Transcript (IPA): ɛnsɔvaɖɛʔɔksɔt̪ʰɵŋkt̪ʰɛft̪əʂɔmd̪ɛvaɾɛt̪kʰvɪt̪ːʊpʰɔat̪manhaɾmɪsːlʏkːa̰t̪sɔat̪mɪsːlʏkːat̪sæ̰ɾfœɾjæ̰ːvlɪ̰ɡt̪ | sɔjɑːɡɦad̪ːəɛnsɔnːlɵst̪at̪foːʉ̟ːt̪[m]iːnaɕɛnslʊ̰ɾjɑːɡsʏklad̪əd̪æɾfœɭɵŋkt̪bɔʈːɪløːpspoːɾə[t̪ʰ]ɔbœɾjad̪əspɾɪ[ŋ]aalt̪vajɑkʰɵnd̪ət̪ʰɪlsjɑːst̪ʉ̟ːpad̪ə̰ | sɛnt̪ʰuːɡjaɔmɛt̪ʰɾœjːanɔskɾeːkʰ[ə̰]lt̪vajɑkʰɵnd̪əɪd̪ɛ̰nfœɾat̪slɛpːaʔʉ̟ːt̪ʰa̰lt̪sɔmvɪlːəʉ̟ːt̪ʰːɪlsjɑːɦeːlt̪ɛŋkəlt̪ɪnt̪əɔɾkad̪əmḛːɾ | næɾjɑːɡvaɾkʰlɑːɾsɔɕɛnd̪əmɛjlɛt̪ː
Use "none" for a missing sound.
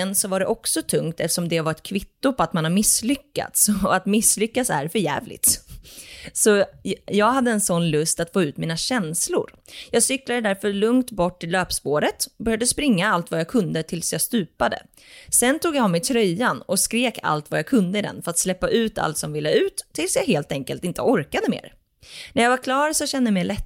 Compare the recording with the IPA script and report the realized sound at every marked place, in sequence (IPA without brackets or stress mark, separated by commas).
m, t̪, ŋː, a̰